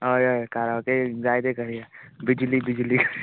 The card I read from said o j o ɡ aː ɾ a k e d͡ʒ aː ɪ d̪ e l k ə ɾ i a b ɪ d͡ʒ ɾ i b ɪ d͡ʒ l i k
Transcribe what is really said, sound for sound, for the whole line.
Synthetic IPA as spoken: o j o k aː ɾ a k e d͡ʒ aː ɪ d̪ e k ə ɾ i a b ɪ d͡ʒ l i b ɪ d͡ʒ l i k